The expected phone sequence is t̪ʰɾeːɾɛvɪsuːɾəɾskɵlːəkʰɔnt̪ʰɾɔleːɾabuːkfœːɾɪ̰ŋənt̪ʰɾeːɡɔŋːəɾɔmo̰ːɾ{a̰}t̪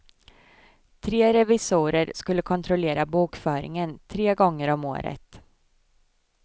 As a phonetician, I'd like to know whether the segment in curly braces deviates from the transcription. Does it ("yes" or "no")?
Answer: yes